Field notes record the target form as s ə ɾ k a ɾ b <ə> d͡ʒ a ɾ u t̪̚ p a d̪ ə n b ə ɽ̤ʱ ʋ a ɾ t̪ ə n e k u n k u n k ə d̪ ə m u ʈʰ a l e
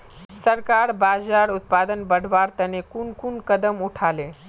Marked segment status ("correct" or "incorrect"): incorrect